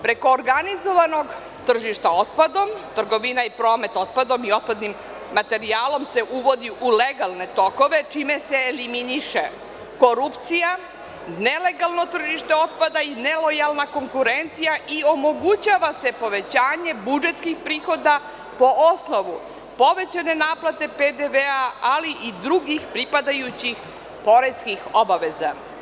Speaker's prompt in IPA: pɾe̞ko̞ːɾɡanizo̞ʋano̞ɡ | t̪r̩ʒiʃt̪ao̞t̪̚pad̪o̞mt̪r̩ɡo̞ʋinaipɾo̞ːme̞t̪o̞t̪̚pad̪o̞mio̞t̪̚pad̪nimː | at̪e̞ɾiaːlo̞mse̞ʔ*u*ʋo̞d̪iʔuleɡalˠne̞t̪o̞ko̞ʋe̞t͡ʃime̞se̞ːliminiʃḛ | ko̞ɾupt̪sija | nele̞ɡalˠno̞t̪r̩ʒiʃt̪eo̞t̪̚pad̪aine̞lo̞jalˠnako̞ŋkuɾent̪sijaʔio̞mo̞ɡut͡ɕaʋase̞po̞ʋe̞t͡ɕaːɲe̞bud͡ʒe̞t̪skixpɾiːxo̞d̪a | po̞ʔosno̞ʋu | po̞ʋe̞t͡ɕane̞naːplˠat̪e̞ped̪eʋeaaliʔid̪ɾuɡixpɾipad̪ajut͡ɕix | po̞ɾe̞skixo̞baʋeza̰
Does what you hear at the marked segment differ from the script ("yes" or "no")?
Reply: no